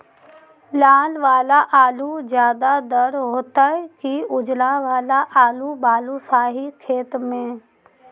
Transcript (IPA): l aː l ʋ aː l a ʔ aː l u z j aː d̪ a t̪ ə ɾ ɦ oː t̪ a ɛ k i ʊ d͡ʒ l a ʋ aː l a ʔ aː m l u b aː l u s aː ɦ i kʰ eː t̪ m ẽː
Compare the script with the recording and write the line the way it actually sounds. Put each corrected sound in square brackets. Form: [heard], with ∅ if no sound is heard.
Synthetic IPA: l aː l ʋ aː l a ʔ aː l u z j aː d̪ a [d̪] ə ɾ ɦ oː t̪ a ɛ k i ʊ d͡ʒ l a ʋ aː l a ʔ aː [∅] l u b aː l u s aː ɦ i kʰ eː t̪ m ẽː

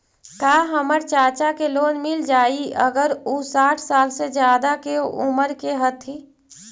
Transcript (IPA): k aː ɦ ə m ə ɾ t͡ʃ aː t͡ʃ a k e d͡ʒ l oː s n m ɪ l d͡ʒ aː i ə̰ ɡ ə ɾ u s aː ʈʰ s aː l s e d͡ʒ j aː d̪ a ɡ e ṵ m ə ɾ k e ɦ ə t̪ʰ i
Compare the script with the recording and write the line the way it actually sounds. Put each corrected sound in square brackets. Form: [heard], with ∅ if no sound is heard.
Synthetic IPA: k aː ɦ ə m ə ɾ t͡ʃ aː t͡ʃ a k e [∅] l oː [∅] n m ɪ l d͡ʒ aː i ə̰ ɡ ə ɾ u s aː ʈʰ s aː l s e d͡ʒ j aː d̪ a [k] e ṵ m ə ɾ k e ɦ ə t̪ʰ i

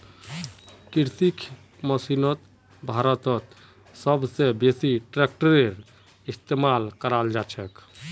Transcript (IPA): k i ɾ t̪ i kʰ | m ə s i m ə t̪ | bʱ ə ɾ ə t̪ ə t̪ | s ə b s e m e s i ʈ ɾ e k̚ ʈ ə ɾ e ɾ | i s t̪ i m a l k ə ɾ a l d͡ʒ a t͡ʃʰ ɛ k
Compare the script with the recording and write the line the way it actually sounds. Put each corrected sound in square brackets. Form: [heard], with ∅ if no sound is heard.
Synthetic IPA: k i ɾ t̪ i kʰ | m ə s i [n] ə t̪ | bʱ [a] ɾ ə t̪ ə t̪ | s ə b s e [b] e s i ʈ ɾ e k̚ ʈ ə ɾ e ɾ | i s t̪ [e] m a l k ə ɾ a l d͡ʒ a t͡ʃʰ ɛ k

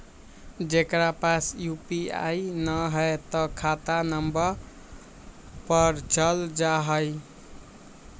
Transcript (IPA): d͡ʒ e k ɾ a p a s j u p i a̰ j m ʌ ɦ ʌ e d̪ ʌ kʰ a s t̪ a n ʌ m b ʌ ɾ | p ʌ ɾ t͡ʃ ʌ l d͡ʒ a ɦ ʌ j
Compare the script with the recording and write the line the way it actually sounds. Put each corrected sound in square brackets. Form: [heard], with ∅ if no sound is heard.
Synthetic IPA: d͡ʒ e k ɾ a p a s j u p i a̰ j [n] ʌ ɦ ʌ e [t̪] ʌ kʰ a [∅] t̪ a n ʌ m b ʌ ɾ | p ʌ ɾ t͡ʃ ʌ l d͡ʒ a ɦ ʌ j

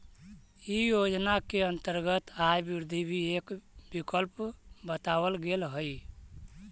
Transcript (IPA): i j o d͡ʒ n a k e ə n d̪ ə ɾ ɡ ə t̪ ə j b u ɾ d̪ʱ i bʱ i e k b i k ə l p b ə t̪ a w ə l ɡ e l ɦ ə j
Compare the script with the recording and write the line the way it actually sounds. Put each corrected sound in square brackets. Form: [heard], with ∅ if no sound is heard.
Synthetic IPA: i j o d͡ʒ n a k e ə n [t̪] ə ɾ ɡ ə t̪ [a] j b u ɾ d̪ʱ i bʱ i e k b i k ə l p b ə t̪ a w ə l ɡ e l ɦ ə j

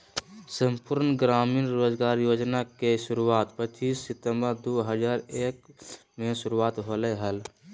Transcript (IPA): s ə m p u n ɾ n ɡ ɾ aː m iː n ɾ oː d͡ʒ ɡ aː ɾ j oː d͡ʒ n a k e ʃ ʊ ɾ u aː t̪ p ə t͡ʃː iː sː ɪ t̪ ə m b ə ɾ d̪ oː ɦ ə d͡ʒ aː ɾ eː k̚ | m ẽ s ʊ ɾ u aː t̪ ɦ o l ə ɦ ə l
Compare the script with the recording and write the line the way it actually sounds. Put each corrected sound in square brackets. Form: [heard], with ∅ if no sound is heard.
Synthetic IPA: s ə m p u [∅] ɾ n ɡ ɾ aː m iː n ɾ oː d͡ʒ ɡ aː ɾ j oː d͡ʒ n a k e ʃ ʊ ɾ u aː t̪ p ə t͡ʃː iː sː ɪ t̪ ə m b ə ɾ d̪ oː ɦ ə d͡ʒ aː ɾ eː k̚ | m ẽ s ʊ ɾ u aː t̪ ɦ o l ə ɦ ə l

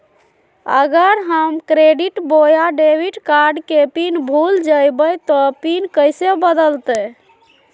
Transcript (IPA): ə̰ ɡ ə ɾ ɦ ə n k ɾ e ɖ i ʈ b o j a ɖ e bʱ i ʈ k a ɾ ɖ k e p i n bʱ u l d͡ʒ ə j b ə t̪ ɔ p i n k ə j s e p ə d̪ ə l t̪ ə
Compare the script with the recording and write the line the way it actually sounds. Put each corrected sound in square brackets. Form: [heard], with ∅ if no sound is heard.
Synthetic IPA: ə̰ ɡ ə ɾ ɦ ə [m] k ɾ e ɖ i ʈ b o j a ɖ e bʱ i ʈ k a ɾ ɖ k e p i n bʱ u l d͡ʒ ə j b ə t̪ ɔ p i n k ə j s e [b] ə d̪ ə l t̪ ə

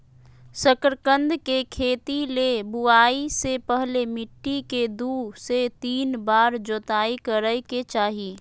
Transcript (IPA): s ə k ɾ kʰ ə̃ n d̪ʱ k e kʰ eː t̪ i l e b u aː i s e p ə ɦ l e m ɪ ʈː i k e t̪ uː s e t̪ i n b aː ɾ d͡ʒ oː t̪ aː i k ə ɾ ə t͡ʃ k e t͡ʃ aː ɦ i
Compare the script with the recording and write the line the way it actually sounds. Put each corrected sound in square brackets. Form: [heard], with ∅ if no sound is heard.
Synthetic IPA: s ə k ɾ [k] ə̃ n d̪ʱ k e kʰ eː t̪ i l e b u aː i s e p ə ɦ l e m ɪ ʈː i k e [d̪] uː s e t̪ [iː] n b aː ɾ d͡ʒ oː t̪ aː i k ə ɾ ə [∅] k e t͡ʃ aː ɦ i

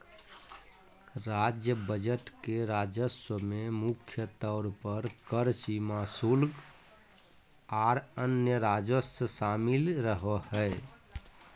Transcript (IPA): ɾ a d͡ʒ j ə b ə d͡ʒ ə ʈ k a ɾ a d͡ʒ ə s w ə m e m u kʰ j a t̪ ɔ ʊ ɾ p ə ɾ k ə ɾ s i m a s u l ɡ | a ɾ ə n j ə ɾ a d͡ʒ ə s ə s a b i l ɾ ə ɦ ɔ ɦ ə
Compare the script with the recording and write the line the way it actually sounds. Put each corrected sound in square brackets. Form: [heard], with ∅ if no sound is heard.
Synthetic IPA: ɾ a d͡ʒ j ə b ə d͡ʒ ə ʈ k [e] ɾ a d͡ʒ ə s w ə m e m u kʰ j [ə] t̪ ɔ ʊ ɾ p ə ɾ k ə ɾ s i m a s u l ɡ | a ɾ ə n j ə ɾ a d͡ʒ ə s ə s a [m] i l ɾ ə ɦ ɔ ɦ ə

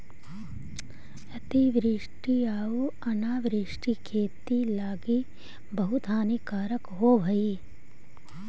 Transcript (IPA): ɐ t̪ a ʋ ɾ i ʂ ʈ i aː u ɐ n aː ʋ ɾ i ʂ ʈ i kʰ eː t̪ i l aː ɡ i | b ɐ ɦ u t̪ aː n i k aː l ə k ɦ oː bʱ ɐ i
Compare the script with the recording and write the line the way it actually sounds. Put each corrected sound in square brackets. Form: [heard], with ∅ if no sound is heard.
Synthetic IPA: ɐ t̪ [i] ʋ ɾ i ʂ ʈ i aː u ɐ n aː ʋ ɾ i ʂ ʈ i kʰ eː t̪ i l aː ɡ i | b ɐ ɦ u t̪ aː n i k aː [ɾ] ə k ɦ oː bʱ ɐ i

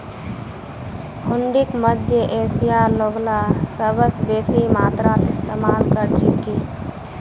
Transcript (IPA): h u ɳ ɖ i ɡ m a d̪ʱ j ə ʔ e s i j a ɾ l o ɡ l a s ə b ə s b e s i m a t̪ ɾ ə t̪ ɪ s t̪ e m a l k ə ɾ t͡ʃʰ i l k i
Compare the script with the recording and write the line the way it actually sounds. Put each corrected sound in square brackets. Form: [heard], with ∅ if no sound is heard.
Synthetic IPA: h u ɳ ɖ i [k] m [ə] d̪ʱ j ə ʔ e s i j a ɾ l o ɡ l a s ə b ə s b e s i m a t̪ ɾ [a] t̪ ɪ s t̪ e m a l k ə ɾ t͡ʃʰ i l k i

